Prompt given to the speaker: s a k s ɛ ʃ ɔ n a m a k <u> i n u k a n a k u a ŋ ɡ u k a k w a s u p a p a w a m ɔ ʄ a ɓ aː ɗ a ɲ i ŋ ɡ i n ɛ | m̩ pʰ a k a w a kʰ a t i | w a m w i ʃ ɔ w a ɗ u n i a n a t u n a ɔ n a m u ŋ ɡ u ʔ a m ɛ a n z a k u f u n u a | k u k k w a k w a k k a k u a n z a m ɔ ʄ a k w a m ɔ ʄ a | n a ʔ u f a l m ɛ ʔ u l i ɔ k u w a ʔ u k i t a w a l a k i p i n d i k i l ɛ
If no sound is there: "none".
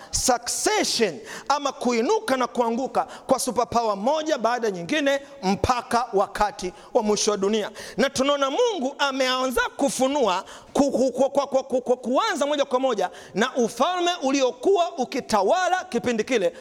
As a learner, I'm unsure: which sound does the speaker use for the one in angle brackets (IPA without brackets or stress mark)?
u